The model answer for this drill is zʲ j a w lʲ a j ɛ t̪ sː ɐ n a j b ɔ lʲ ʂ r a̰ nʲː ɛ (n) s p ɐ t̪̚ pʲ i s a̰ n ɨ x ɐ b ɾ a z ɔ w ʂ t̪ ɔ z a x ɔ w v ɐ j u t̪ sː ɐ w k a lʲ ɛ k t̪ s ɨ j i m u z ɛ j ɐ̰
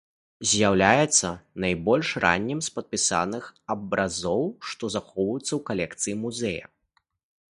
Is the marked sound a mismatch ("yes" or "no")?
yes